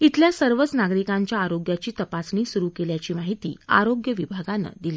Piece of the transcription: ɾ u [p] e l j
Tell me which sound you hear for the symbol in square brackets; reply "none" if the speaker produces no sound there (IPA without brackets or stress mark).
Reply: k